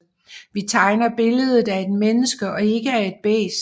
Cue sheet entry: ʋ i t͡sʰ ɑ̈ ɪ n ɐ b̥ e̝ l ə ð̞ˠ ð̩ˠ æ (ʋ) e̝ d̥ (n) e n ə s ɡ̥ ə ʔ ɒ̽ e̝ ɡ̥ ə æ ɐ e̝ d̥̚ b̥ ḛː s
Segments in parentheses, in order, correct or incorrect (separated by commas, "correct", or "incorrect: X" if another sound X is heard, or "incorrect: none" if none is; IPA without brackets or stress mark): incorrect: none, incorrect: m